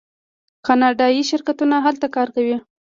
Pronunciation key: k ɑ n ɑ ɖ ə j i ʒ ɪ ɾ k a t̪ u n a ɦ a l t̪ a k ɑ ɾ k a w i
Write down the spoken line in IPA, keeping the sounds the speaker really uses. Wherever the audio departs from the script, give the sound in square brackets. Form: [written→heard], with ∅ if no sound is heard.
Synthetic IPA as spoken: k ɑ n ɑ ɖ [ə→ɑ] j i [ʒ→ʃ] ɪ ɾ k a t̪ u n a ɦ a l t̪ a k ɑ ɾ k a w i